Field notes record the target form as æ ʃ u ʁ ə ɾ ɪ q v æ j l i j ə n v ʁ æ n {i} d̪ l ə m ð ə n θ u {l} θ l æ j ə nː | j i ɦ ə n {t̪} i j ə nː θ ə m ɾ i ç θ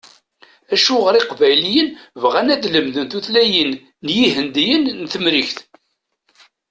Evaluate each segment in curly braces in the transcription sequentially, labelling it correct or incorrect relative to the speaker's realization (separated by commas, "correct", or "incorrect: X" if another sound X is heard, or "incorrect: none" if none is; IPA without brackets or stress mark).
incorrect: æ, incorrect: none, incorrect: d̪